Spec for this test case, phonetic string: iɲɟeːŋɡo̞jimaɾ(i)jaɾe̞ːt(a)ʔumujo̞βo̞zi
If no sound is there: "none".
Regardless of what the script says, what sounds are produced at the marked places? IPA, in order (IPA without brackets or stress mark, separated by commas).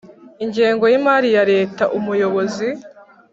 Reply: i, a